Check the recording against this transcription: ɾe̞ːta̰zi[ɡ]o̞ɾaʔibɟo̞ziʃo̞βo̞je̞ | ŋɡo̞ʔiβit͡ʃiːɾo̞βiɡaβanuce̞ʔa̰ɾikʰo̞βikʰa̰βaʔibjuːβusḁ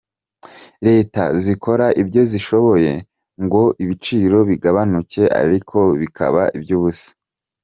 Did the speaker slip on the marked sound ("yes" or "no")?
yes